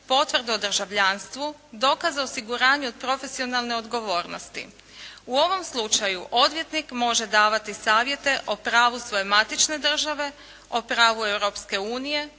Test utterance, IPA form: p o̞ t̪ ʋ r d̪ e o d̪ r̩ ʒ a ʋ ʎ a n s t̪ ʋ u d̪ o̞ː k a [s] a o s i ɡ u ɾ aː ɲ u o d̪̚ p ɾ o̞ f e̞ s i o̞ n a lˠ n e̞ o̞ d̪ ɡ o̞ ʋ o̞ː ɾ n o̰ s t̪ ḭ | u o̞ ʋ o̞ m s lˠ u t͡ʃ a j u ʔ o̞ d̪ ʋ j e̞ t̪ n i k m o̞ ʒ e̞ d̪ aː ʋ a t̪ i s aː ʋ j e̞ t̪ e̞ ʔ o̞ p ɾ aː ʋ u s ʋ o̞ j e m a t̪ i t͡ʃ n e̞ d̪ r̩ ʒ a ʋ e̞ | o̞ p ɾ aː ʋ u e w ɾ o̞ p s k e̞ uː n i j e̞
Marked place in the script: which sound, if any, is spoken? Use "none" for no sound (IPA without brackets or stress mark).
z